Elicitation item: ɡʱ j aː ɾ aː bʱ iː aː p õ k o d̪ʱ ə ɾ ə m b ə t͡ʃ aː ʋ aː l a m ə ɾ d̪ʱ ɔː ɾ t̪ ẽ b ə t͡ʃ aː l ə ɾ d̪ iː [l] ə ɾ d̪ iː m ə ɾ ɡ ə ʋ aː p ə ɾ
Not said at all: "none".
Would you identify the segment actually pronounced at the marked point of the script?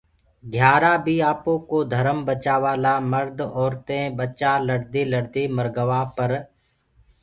l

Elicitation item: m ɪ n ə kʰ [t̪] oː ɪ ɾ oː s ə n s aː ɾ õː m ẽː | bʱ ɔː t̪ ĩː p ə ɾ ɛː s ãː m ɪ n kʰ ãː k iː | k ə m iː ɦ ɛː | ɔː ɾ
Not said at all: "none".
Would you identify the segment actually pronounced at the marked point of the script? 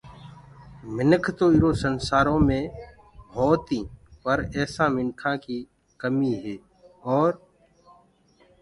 t̪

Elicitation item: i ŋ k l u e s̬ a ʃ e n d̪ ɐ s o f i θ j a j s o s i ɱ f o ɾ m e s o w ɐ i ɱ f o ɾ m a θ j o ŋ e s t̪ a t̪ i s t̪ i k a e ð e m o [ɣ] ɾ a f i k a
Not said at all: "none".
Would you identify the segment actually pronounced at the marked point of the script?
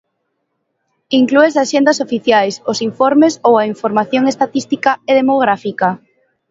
ɣ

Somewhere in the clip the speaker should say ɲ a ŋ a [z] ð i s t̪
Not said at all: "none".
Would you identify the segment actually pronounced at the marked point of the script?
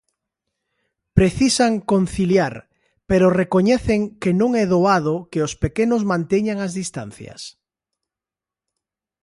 z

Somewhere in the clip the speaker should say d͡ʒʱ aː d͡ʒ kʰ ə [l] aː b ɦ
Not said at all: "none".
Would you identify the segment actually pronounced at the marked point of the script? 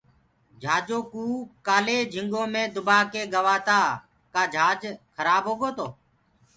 ɾ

